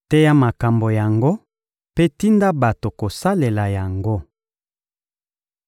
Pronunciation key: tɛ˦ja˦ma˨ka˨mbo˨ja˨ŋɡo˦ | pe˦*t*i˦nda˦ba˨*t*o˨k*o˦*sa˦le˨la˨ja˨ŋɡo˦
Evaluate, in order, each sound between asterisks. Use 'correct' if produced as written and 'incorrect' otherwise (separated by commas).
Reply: correct, correct, incorrect